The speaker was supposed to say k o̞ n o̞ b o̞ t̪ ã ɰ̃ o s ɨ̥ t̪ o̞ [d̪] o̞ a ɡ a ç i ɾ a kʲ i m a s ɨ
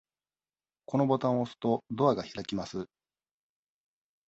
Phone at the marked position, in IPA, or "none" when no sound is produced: d̪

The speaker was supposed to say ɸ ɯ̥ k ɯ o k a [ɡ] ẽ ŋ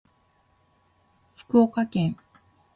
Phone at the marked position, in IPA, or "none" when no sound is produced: k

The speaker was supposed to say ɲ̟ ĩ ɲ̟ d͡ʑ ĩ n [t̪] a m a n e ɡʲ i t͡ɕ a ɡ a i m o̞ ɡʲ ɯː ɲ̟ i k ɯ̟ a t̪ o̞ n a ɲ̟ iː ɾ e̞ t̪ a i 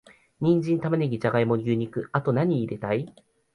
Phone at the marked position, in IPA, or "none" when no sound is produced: t̪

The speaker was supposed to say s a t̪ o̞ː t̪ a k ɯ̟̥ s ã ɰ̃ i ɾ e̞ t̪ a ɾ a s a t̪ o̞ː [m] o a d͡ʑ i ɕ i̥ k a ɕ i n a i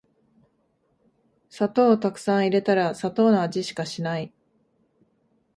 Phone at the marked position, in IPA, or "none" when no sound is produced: n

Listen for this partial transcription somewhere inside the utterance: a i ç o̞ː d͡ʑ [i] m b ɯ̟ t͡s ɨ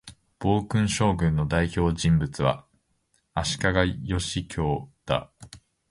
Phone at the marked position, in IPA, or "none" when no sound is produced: ĩ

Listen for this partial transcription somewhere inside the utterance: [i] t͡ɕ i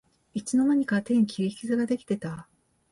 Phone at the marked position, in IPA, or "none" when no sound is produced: i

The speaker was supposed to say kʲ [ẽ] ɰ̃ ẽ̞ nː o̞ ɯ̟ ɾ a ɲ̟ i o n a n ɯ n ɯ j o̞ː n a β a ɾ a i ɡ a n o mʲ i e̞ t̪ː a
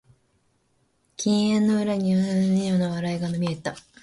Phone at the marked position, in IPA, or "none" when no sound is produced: ĩ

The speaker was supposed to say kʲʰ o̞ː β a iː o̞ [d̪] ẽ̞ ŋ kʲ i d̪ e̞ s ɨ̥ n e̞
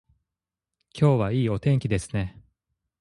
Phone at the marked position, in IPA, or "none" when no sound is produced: t̪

